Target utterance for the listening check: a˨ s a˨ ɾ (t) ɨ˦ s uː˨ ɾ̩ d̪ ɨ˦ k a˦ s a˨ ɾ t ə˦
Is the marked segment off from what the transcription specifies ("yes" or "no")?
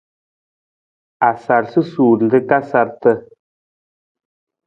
yes